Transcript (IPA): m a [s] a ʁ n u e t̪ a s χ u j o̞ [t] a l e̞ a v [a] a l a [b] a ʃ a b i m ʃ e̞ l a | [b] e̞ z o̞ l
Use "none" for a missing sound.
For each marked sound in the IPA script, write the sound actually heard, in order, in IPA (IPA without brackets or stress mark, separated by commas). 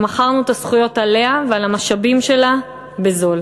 χ, t, e, m, b